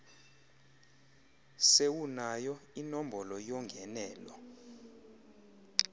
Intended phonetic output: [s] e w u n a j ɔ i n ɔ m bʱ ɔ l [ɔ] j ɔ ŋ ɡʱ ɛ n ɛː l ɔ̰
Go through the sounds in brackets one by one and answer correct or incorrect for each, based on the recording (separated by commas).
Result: correct, correct